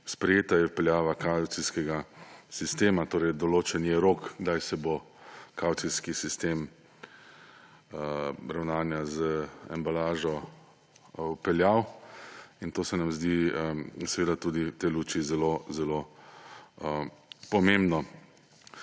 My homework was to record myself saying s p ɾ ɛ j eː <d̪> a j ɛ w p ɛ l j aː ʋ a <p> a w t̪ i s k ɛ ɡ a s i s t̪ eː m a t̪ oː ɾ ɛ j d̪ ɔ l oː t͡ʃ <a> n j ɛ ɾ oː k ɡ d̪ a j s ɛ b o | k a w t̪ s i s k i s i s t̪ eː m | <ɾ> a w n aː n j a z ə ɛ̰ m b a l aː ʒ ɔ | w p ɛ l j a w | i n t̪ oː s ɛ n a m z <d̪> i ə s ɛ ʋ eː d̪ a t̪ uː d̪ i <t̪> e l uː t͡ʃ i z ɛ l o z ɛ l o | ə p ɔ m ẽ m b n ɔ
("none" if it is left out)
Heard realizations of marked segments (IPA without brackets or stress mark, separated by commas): t̪, k, ɛ, ɾ, d̪, t̪